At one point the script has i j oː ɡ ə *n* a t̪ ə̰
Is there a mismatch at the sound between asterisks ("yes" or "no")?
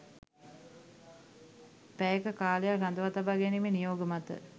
yes